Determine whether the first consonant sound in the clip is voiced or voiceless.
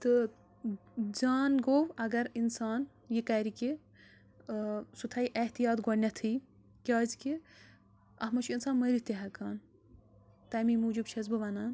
voiceless